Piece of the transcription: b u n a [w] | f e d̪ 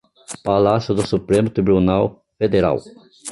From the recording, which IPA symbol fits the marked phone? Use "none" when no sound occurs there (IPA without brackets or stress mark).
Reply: w